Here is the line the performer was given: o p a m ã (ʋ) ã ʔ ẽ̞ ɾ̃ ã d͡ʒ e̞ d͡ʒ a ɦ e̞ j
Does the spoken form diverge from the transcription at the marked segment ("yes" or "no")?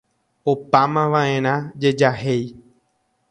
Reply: no